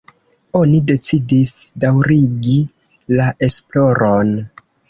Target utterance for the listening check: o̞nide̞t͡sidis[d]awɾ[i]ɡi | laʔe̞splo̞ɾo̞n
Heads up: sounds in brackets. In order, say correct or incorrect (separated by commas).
correct, correct